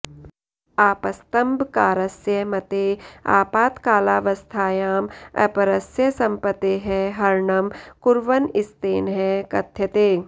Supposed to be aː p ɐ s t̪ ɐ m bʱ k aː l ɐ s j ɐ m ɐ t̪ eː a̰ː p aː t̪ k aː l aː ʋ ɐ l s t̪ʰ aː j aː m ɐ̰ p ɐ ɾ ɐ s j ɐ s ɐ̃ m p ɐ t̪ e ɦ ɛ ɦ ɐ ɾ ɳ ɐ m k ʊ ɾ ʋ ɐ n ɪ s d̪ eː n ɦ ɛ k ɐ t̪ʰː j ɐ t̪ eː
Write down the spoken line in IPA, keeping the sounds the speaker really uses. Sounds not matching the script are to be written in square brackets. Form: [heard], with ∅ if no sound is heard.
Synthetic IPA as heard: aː p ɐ s t̪ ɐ m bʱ k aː [ɾ] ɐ s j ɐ m ɐ t̪ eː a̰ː p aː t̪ k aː l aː ʋ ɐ [∅] s t̪ʰ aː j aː m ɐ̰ p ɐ ɾ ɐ s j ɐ s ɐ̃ m p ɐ t̪ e ɦ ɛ ɦ ɐ ɾ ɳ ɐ m k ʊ ɾ ʋ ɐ n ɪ s [t̪] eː n ɦ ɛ k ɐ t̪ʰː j ɐ t̪ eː